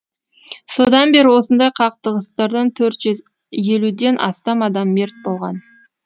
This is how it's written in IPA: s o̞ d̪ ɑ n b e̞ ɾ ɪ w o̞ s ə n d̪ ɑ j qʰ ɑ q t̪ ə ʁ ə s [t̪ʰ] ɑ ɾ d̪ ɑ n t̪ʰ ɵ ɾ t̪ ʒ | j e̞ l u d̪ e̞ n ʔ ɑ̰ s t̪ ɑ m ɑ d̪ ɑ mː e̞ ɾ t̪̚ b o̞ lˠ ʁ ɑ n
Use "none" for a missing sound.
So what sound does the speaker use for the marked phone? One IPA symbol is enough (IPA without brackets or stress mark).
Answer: t̪